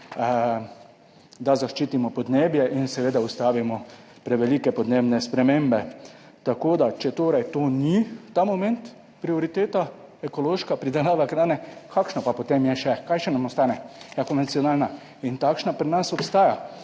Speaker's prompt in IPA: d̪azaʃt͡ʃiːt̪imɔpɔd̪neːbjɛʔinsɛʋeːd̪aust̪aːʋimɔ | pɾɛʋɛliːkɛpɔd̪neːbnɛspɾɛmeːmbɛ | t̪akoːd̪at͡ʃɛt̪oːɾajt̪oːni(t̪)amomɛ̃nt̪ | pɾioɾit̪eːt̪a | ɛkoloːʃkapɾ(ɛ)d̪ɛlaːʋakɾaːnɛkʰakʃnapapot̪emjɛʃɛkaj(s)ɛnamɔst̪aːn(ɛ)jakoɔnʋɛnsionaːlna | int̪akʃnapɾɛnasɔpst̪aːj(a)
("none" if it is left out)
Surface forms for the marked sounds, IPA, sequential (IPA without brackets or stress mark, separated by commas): t̪, i, ʃ, ɛ, a